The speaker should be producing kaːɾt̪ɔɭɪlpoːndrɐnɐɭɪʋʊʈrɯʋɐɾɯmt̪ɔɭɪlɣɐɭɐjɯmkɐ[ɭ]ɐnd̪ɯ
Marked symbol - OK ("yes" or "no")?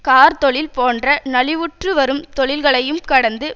no